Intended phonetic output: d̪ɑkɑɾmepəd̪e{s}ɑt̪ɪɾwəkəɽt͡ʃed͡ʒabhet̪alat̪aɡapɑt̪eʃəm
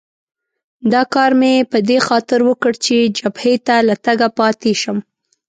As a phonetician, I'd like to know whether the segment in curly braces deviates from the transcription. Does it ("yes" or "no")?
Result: yes